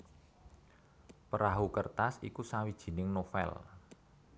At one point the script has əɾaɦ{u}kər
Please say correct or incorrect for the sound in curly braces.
correct